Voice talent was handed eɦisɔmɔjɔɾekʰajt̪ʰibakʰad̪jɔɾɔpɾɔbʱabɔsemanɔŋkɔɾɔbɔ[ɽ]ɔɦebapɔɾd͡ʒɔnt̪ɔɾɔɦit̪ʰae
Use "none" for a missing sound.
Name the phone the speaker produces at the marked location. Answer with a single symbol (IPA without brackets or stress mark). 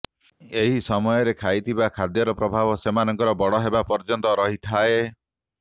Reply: ɽ